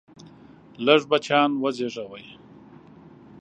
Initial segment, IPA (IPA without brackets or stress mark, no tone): l